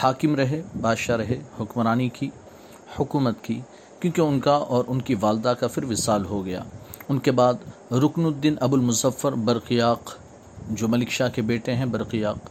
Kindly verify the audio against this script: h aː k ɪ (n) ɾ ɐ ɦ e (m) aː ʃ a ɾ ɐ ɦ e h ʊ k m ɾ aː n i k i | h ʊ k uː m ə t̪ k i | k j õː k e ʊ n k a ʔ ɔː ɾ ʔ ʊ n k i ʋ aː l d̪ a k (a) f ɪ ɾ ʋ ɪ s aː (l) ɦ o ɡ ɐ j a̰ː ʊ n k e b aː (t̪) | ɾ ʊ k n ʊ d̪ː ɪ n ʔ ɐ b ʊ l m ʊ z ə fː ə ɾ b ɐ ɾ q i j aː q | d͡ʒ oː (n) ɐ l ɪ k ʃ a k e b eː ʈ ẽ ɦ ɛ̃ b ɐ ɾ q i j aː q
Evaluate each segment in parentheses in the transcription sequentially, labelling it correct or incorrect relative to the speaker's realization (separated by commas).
incorrect, incorrect, correct, correct, incorrect, incorrect